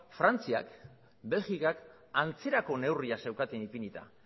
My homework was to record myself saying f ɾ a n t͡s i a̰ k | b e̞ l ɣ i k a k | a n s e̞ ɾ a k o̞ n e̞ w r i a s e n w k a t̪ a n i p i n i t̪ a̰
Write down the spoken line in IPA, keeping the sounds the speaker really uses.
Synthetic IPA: f ɾ a n t͡s i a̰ k | b e̞ l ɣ i k a k | a n t͡s e̞ ɾ a k o̞ n e̞ w r i a s e w k a t̪ e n i p i n i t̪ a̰